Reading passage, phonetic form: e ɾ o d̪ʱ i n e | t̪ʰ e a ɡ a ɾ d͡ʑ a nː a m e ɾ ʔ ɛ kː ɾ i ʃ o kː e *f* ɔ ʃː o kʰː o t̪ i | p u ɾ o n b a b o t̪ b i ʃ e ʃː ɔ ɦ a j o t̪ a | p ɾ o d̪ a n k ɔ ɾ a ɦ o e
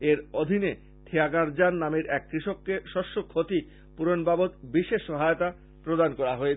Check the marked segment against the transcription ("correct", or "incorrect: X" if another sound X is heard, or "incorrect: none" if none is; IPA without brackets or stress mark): incorrect: ʃ